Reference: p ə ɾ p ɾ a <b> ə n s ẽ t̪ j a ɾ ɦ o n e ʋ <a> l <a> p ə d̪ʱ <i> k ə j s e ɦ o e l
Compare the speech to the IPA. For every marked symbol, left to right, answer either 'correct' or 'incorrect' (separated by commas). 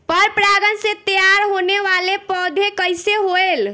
incorrect, correct, incorrect, incorrect